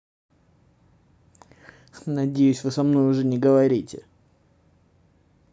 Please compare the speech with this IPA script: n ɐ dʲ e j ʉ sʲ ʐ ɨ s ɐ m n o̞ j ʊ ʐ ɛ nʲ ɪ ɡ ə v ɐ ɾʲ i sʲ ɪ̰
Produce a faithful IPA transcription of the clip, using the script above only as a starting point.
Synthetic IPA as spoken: n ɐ dʲ e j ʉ sʲ v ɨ s ɐ m n o̞ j ʊ ʐ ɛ nʲ ɪ ɡ ə v ɐ ɾʲ i tʲ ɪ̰